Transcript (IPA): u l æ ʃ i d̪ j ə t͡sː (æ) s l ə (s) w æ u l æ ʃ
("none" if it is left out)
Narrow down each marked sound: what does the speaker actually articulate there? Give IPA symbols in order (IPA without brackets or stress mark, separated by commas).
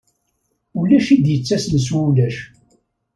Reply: æ, s